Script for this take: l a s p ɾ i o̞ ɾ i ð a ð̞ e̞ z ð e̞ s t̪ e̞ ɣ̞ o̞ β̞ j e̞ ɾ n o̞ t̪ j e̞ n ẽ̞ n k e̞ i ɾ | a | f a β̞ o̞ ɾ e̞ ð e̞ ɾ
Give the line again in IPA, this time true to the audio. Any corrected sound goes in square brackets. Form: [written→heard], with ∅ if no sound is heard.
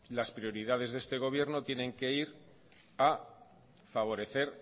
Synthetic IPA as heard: l a s p ɾ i o̞ ɾ i ð a ð̞ e̞ z ð e̞ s t̪ e̞ ɣ̞ o̞ β̞ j e̞ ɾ n o̞ t̪ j e̞ n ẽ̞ [n→ŋ] k e̞ i ɾ | a | f a β̞ o̞ ɾ e̞ [ð→θ] e̞ ɾ